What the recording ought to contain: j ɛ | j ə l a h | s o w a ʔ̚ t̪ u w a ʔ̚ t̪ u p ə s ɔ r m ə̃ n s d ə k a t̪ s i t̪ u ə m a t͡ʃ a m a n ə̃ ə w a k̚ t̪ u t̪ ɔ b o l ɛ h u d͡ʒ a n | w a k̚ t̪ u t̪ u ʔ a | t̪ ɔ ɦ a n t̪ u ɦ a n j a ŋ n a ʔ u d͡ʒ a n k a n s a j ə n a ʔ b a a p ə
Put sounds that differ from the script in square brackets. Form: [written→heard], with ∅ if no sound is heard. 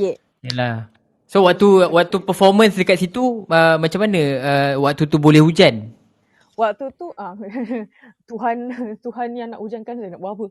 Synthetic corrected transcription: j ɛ | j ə l a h | s o w a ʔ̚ t̪ u w a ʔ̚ t̪ u p ə [s→f] ɔ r m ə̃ n s d ə k a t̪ s i t̪ u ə m a t͡ʃ a m a n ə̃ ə w a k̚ t̪ u t̪ [ɔ→u] b o l ɛ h u d͡ʒ a n | w a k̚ t̪ u t̪ u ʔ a | t̪ [ɔ→u] ɦ a n t̪ u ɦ a n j a ŋ n a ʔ u d͡ʒ a n k a n s a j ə n a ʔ b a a p ə